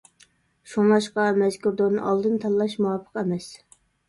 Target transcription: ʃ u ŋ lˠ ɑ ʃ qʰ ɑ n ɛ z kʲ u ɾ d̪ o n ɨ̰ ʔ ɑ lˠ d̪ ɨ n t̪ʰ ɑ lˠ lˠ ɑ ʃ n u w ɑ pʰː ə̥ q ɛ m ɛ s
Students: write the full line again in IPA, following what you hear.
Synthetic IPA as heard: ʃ u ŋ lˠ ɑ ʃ q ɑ m ɛ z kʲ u ɾ d̪ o n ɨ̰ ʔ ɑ lˠ d̪ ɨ n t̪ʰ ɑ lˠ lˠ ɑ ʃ m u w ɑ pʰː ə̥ q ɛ m ɛ s

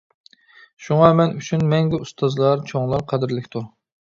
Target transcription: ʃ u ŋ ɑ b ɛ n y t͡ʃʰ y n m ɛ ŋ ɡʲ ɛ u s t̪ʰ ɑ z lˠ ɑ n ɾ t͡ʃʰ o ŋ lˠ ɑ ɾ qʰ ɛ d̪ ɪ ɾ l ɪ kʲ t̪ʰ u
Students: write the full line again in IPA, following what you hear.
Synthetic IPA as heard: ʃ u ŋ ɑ m ɛ n y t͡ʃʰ y n m ɛ ŋ ɡʲ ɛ u s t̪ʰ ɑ z lˠ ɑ ɾ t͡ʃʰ o ŋ lˠ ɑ ɾ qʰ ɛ d̪ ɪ ɾ l ɪ kʲ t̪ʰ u

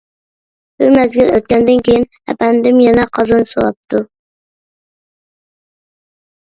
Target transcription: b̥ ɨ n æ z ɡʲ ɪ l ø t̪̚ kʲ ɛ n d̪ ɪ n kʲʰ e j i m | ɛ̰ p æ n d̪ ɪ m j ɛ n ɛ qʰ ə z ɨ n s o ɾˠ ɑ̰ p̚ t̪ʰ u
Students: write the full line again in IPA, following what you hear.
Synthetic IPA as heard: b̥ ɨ m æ z ɡʲ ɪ l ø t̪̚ kʲ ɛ n d̪ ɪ n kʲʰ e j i n | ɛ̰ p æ n d̪ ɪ m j ɛ n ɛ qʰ ɑ z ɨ n s o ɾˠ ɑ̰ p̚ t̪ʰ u

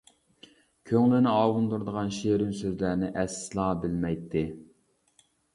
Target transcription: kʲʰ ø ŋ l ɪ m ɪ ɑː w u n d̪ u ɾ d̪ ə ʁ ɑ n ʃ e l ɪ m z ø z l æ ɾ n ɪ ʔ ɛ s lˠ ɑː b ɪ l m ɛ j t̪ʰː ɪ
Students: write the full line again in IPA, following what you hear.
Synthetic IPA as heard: kʲʰ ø ŋ l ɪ n ɪ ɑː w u n d̪ u ɾ d̪ ə ʁ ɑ n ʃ e ɾ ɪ m s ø z l æ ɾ n ɪ ʔ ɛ s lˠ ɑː b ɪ l m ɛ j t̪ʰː ɪ

